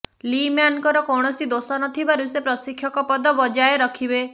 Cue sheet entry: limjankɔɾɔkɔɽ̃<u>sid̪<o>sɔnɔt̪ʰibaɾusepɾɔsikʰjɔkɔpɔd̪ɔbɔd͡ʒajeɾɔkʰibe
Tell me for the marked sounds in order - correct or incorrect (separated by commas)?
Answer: incorrect, correct